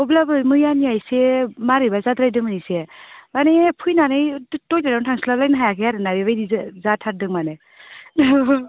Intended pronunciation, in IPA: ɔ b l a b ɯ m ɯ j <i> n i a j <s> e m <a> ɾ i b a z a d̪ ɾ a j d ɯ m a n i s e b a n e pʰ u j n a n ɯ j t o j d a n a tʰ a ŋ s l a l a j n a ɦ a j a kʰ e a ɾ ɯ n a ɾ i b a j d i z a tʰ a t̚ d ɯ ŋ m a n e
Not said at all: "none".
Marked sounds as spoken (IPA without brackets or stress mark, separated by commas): a, s, a